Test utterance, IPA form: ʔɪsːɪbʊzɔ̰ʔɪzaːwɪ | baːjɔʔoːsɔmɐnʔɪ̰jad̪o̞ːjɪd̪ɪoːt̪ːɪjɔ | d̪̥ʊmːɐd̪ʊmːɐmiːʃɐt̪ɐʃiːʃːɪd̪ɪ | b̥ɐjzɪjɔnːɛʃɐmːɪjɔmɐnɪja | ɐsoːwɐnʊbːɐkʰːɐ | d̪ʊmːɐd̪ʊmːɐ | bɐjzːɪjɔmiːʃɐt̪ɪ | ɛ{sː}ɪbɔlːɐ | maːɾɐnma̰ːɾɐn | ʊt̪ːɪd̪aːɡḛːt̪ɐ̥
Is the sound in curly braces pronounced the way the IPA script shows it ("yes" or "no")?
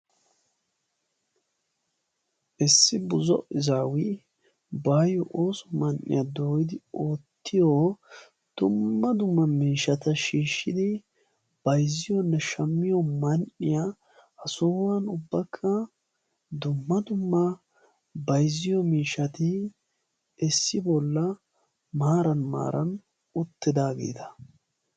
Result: yes